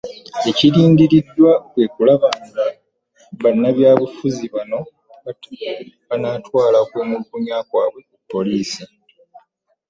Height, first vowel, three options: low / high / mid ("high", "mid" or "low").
mid